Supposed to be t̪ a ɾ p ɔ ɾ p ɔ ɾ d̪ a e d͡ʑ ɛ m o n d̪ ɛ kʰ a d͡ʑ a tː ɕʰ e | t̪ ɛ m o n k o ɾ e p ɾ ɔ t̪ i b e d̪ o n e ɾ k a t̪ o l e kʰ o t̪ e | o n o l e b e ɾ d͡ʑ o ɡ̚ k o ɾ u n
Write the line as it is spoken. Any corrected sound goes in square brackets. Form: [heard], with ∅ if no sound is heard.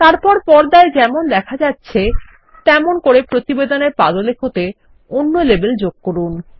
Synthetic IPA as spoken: t̪ a ɾ p ɔ ɾ p ɔ ɾ d̪ a e d͡ʑ ɛ m o n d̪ ɛ kʰ a d͡ʑ a tː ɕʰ e | t̪ ɛ m o n k o ɾ e p ɾ [o] t̪ i b e d̪ o n e ɾ [p] a [d̪] o l e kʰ o t̪ e | o [nː] o l e b e [l] d͡ʑ o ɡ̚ k o ɾ u n

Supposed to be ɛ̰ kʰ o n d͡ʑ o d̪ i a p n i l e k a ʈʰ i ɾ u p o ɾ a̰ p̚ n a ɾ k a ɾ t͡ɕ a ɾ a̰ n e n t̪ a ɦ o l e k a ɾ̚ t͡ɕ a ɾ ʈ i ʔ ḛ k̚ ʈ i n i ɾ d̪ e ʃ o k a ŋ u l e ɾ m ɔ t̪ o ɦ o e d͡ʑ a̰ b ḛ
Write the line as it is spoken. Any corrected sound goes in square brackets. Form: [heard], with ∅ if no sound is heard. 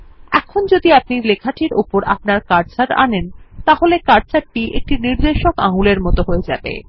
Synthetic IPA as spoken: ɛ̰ kʰ o n d͡ʑ o d̪ i a p n i l e [kʰ] a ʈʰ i ɾ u p o ɾ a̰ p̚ n a ɾ k a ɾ t͡ɕ a ɾ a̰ n e n t̪ a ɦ o l e k a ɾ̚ t͡ɕ a ɾ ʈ i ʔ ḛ k̚ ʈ i n i ɾ d̪ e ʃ o k a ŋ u l e ɾ m ɔ t̪ o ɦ o e d͡ʑ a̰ b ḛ

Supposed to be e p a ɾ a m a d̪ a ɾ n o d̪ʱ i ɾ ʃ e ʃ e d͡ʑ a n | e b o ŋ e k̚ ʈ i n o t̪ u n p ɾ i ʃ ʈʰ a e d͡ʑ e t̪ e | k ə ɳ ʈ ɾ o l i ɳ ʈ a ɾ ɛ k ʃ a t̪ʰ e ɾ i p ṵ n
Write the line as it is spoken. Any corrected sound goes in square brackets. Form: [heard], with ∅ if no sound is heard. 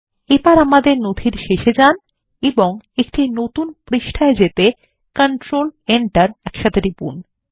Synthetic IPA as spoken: e p a ɾ a m a d̪ [e] ɾ n o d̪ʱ i ɾ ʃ e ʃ e d͡ʑ a n | e b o ŋ e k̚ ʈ i n o t̪ u n p ɾ i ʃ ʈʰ a e d͡ʑ e t̪ e | k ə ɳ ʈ ɾ o l [e] ɳ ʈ a ɾ ɛ k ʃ a t̪ʰ e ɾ i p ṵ n

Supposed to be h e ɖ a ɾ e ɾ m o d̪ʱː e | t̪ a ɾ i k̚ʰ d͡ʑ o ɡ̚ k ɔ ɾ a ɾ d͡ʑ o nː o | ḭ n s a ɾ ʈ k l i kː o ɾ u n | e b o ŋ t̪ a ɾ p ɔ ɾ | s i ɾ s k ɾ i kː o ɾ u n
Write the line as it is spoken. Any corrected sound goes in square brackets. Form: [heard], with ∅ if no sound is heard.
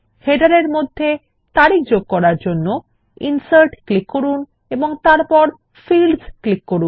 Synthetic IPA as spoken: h e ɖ a ɾ e ɾ m o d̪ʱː e | t̪ a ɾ i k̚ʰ d͡ʑ o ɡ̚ k ɔ ɾ a ɾ d͡ʑ o nː o | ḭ n s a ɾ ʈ k l i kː o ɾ u n | e b o ŋ t̪ a ɾ p ɔ ɾ | [f] i [l] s k [l] i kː o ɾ u n

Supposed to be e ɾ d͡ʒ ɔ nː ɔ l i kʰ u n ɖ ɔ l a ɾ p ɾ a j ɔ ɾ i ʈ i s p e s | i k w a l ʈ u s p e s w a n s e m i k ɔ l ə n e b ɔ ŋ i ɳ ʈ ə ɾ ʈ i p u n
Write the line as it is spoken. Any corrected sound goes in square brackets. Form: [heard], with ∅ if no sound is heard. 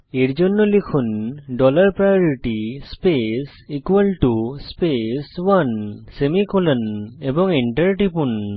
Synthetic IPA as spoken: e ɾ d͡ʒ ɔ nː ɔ l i kʰ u n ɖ ɔ l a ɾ p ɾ a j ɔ ɾ i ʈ i s p e s | i k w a l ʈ u s p e s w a n s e m i k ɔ l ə n e b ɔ ŋ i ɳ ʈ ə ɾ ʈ i p u n

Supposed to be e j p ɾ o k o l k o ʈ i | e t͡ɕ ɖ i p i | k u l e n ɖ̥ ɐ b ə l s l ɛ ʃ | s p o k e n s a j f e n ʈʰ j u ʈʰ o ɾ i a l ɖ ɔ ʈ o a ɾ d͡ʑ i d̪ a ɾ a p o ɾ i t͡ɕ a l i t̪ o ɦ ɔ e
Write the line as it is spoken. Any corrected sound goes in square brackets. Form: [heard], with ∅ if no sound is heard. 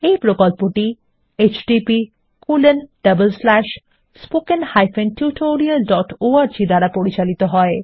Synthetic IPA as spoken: e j p ɾ o k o l [p] o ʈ i | e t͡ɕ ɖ i p i | k u l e n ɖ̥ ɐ b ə l s l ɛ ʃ | s p o k e n [h] a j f e n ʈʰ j u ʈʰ o ɾ i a l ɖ ɔ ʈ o a ɾ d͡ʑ i d̪ a ɾ a p o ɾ i t͡ɕ a l i t̪ o ɦ ɔ e

